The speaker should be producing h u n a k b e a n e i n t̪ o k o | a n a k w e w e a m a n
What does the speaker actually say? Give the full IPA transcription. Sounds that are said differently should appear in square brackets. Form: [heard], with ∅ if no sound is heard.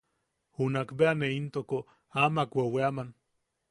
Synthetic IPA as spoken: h u n a k b e a n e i n t̪ o k o | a [m] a k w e w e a m a n